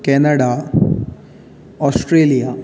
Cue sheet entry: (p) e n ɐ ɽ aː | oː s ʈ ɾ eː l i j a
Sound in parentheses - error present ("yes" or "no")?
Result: yes